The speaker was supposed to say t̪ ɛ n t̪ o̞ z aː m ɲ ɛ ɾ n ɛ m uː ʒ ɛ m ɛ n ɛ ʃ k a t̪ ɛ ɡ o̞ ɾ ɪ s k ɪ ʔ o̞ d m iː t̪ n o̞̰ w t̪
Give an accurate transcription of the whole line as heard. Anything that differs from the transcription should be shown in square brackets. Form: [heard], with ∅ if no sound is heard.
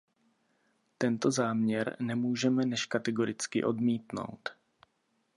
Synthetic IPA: t̪ ɛ n t̪ o̞ z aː m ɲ ɛ ɾ n ɛ m uː ʒ ɛ m ɛ n ɛ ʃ k a t̪ ɛ ɡ o̞ ɾ ɪ [t͡s] k ɪ ʔ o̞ d m iː t̪ n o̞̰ w t̪